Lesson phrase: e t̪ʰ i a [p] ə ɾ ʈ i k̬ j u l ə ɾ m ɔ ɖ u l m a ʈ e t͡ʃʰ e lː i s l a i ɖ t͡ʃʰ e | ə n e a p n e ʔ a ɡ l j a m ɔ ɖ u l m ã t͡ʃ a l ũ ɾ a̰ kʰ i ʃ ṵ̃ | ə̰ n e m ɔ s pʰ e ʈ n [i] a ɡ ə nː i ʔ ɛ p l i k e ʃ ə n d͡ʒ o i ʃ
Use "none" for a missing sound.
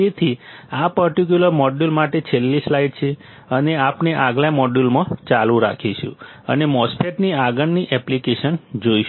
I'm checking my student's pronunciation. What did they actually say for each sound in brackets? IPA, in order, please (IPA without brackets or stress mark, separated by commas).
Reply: p, i